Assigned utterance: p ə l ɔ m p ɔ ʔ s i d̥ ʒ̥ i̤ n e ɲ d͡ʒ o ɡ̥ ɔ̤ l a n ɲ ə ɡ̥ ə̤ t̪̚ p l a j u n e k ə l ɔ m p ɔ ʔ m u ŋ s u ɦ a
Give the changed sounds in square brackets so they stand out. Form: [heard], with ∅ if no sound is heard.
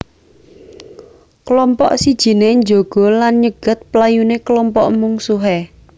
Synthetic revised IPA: [k] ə l ɔ m p ɔ ʔ s i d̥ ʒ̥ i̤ n e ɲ d͡ʒ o ɡ̥ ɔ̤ l a n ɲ ə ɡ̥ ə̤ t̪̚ p l a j u n e k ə l ɔ m p ɔ ʔ m u ŋ s u ɦ [e]